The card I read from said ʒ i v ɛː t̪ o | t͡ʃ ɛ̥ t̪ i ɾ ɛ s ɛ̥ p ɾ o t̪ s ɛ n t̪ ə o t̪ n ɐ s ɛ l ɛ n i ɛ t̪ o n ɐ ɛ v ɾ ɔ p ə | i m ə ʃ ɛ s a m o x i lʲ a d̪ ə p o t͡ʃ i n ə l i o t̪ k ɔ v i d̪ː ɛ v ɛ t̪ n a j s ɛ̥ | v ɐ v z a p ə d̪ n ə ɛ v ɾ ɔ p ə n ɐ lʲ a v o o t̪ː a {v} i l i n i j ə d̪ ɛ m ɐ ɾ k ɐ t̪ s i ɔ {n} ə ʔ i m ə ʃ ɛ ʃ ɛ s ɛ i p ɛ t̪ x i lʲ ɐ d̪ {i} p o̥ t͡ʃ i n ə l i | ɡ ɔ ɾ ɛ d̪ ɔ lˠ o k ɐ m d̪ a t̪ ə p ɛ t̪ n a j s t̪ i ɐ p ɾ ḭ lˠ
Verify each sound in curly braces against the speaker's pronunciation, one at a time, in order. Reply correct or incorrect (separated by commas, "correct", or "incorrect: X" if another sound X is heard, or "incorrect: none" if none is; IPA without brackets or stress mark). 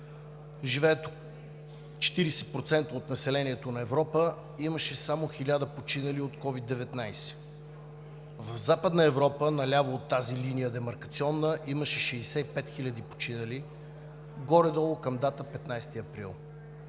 incorrect: z, incorrect: nː, correct